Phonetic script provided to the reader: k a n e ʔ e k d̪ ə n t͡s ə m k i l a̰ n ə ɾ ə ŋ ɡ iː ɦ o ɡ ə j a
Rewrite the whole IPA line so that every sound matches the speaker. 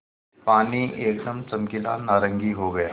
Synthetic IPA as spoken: p a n i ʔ e k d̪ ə m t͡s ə m k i l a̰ n a ɾ ə ŋ ɡ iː ɦ o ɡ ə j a